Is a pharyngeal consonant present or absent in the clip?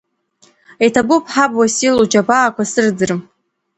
present